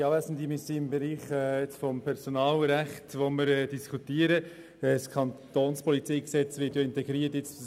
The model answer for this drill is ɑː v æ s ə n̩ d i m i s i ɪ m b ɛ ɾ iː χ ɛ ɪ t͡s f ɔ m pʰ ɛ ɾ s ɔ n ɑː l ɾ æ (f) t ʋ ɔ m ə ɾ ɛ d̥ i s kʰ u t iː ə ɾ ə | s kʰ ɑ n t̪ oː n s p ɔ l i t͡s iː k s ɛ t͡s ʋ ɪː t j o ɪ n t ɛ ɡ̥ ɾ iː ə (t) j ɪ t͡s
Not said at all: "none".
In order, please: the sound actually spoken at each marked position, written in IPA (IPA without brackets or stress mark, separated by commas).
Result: χ, t